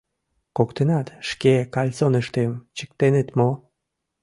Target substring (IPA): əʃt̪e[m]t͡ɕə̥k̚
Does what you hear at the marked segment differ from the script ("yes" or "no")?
no